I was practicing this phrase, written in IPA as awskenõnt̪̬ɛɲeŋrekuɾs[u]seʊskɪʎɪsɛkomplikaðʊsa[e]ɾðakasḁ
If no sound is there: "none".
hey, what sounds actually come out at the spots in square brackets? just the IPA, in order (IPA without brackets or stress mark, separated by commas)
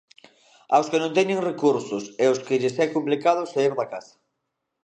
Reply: ʊ, i